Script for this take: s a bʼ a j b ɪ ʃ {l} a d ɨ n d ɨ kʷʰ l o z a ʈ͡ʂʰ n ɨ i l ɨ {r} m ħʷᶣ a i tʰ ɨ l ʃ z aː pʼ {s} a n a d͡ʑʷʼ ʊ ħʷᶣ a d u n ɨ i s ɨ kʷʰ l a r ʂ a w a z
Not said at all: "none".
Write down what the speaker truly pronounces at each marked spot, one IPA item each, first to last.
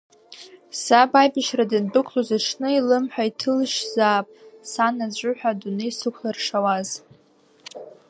r, none, s

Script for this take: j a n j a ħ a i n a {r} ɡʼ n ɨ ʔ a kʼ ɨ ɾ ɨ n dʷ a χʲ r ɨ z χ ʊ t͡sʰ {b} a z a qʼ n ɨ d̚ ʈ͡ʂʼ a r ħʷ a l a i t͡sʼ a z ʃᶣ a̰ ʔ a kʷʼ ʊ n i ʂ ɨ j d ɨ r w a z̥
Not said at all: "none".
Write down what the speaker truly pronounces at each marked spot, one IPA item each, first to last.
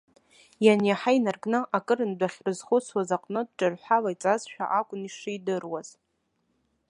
r, w

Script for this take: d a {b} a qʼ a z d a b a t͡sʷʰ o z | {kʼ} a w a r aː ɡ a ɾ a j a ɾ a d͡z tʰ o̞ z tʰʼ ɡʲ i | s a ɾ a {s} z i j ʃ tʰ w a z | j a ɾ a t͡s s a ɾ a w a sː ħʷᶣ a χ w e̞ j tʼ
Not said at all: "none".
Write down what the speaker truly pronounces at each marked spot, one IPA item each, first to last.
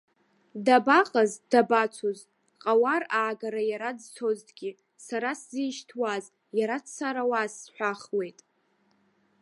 b, qʼ, s

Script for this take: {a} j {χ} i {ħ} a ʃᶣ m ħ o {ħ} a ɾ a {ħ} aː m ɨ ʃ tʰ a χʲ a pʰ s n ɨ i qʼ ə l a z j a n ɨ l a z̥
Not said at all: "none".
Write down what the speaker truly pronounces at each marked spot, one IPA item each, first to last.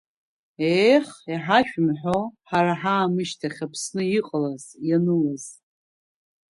e, χ, ħ, ħ, ħ

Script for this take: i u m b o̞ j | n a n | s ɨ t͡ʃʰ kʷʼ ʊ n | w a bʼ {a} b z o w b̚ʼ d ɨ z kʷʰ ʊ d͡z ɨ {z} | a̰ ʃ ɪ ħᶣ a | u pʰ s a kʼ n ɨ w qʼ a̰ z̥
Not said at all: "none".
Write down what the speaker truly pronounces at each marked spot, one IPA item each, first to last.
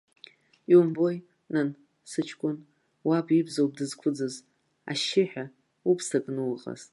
i, z

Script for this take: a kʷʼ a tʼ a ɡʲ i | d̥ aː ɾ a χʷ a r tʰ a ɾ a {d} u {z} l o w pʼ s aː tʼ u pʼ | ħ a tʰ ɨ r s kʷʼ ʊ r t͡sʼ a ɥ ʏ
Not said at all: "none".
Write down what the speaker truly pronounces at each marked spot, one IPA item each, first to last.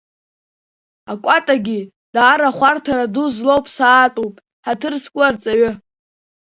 d, z

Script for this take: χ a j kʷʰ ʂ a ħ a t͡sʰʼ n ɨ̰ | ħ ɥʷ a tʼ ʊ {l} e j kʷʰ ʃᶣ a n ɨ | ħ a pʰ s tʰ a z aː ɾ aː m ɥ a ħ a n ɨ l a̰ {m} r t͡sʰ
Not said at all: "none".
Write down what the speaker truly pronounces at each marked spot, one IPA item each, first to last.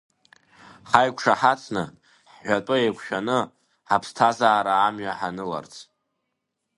none, none

